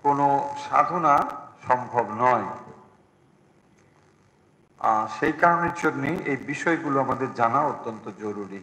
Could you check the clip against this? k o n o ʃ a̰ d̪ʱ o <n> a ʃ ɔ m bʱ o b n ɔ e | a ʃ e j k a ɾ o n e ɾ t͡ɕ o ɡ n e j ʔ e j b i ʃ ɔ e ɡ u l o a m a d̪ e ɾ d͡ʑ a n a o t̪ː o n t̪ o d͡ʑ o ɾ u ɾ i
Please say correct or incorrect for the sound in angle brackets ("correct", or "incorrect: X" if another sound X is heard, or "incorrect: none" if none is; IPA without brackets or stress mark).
correct